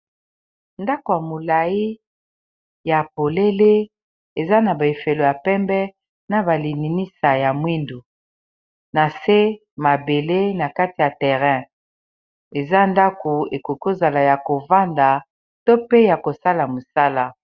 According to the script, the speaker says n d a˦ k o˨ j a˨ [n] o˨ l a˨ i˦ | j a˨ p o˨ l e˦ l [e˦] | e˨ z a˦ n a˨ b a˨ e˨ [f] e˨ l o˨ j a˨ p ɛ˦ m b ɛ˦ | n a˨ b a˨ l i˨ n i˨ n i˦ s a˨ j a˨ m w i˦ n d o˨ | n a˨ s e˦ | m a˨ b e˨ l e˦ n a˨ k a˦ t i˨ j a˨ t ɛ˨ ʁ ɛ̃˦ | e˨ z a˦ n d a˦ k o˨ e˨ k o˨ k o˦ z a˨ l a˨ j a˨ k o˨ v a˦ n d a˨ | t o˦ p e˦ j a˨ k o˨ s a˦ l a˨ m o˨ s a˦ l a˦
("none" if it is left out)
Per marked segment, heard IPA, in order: m, e˦, f

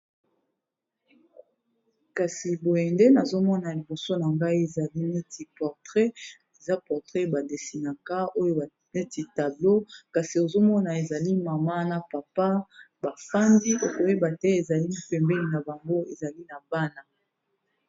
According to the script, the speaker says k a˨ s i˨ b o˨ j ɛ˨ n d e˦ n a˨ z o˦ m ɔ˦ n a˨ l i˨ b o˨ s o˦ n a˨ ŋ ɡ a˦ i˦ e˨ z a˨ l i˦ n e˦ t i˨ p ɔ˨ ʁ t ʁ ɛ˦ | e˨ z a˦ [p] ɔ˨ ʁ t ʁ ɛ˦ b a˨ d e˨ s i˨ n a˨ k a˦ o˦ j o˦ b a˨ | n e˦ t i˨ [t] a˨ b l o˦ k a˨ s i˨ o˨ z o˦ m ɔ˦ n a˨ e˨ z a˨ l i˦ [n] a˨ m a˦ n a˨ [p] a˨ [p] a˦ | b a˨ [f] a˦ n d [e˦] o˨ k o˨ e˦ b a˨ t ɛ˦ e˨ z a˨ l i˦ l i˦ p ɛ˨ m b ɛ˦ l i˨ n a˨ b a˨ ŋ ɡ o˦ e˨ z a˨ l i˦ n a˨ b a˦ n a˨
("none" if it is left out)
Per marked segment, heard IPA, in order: p, t, m, p, p, f, i˦

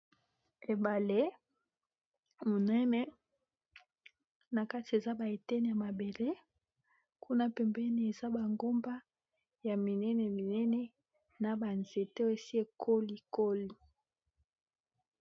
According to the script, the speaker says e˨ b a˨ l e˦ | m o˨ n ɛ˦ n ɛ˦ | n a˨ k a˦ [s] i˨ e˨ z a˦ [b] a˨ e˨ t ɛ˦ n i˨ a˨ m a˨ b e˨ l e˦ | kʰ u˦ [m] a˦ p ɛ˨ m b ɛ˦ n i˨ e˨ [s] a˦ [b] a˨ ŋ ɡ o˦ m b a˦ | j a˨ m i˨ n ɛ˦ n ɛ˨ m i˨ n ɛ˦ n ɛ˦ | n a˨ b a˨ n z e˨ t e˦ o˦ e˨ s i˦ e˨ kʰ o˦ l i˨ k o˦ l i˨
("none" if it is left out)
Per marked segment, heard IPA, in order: t, b, n, z, b

